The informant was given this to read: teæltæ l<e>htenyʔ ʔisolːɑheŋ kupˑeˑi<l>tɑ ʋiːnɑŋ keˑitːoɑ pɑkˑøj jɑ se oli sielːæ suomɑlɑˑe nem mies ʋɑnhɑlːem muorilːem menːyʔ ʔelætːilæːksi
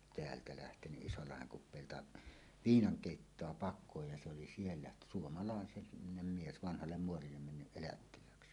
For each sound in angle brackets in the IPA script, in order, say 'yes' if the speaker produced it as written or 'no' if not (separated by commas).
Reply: no, yes